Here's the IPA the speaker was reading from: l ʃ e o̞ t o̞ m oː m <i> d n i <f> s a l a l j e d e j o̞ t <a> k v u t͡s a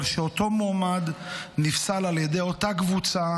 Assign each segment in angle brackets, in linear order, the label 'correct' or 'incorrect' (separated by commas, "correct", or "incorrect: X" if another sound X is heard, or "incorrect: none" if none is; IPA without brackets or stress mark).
incorrect: a, correct, correct